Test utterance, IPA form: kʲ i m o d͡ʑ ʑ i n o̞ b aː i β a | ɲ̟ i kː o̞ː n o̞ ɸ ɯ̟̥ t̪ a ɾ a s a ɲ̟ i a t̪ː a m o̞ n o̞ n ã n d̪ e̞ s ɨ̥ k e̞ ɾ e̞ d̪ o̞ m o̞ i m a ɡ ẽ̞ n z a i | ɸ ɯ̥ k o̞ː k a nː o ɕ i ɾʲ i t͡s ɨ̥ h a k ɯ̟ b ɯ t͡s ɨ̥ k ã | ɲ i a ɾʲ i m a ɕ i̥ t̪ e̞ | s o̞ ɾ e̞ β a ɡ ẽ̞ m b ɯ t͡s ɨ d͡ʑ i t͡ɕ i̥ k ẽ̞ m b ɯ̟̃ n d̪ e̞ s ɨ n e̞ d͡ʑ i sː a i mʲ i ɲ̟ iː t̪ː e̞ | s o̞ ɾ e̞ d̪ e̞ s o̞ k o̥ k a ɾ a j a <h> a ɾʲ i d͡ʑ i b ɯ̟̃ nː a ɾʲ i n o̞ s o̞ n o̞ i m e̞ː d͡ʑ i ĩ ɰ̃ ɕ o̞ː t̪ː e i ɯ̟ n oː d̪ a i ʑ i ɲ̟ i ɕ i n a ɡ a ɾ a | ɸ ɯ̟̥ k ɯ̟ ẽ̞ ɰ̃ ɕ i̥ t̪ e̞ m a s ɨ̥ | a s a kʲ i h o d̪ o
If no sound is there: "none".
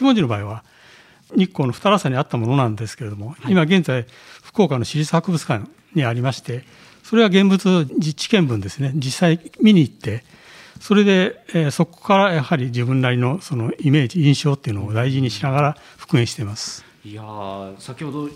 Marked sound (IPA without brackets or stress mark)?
h